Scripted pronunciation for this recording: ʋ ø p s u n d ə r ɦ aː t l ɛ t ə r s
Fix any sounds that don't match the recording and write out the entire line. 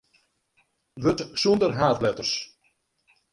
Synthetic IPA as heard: ʋ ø t s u n d ə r ɦ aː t l ɛ t ə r s